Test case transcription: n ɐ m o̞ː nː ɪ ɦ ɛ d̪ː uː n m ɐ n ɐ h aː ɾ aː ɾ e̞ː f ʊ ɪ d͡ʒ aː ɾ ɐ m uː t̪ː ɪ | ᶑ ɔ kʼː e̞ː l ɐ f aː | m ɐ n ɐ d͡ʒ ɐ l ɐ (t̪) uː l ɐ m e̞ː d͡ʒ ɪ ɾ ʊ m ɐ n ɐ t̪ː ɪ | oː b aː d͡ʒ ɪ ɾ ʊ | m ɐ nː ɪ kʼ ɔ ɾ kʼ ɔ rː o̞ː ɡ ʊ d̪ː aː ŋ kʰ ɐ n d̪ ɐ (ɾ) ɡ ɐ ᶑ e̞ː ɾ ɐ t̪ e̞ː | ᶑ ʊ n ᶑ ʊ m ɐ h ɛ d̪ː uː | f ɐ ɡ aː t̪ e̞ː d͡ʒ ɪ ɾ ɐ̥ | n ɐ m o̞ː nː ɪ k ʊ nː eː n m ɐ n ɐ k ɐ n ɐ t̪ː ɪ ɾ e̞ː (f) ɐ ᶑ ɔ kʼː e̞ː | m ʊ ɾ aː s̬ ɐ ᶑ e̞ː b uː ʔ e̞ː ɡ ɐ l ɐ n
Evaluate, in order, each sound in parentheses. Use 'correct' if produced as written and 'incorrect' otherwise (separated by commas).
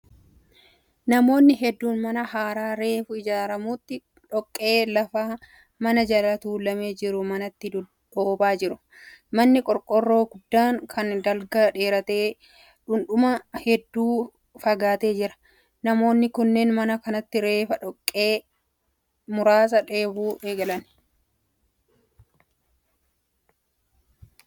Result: correct, incorrect, correct